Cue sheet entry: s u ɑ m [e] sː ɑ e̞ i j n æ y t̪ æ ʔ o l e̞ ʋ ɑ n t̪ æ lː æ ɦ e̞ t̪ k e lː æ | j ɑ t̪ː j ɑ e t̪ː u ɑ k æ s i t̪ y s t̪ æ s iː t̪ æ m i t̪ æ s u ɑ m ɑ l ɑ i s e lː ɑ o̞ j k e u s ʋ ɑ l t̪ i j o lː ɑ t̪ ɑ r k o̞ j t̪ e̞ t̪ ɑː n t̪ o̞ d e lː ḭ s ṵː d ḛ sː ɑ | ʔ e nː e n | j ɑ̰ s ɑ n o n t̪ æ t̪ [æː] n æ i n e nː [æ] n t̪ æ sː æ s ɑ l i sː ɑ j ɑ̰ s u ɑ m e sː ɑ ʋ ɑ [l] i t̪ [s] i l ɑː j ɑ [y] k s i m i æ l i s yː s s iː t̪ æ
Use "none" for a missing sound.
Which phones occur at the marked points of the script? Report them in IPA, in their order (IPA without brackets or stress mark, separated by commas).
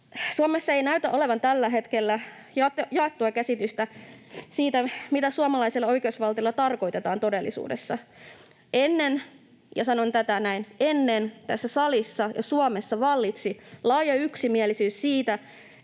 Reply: e, æ, e, lː, s, y